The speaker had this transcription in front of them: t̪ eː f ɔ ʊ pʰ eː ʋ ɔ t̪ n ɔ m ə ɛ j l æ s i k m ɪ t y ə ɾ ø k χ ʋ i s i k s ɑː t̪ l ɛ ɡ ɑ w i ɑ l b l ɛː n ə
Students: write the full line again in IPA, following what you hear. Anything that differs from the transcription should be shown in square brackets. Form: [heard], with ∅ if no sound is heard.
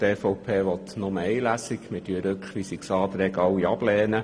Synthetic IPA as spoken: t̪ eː f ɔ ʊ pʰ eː ʋ ɔ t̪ n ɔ m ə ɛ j l æ s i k m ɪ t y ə ɾ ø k χ ʋ i s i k s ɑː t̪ [ɾ] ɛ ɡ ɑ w i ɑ [∅] b l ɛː n ə